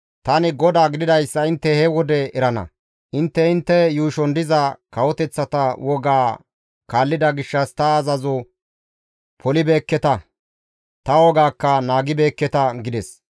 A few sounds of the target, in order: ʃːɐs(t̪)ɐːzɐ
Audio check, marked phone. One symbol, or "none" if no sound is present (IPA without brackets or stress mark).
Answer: t̪